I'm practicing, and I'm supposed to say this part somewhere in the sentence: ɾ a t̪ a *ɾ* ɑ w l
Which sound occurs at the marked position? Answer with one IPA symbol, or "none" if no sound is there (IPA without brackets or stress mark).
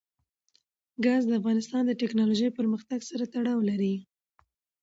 ɽ